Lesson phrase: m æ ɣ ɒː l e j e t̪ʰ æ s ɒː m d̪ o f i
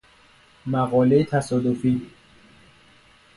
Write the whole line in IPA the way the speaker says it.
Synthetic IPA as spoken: m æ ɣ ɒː l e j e t̪ʰ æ s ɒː d̪ o f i